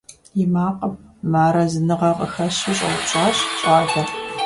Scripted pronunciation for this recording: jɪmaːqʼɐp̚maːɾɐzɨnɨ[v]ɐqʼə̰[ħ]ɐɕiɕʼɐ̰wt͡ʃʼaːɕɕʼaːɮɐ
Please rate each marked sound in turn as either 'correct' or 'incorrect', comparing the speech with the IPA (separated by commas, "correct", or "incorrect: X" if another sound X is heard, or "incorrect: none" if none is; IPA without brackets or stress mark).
incorrect: ʁ, incorrect: x